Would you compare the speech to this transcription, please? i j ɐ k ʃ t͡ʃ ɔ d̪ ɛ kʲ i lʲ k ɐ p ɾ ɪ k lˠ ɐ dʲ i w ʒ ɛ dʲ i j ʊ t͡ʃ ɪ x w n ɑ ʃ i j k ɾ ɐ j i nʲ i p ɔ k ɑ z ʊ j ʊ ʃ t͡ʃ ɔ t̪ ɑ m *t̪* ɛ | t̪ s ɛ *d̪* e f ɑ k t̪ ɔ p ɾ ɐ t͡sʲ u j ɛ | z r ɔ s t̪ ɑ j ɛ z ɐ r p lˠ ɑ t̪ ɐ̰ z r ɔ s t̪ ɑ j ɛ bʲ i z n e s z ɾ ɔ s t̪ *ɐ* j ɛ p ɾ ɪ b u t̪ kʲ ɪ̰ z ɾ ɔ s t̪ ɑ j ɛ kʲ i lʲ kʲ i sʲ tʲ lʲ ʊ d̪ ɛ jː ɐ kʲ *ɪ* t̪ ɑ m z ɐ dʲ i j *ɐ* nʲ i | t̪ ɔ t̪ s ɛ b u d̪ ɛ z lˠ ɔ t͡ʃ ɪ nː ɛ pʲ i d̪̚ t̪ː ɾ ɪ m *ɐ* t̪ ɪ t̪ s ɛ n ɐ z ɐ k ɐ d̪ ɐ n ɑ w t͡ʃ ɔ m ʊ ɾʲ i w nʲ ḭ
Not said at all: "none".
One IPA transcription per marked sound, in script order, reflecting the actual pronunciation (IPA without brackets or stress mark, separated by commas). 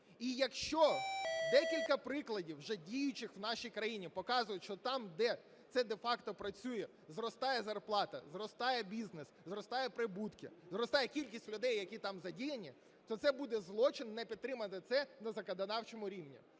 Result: d̪, d̪, ɑ, i, ɐ, ɐ